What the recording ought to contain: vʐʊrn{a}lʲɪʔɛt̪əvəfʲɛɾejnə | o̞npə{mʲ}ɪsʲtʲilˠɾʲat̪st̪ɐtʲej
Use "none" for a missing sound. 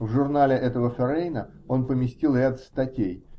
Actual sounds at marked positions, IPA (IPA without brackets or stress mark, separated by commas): a, mʲ